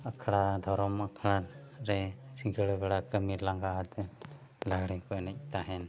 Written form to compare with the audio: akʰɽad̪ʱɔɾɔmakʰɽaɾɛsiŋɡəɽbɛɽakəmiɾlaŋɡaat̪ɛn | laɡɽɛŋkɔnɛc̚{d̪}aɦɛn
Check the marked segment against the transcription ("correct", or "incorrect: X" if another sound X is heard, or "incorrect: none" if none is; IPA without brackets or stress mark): incorrect: t̪